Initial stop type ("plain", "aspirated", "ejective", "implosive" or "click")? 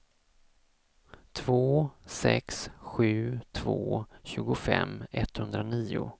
aspirated